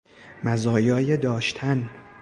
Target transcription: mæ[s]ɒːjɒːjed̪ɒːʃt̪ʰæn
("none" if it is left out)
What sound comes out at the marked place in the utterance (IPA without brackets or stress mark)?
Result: z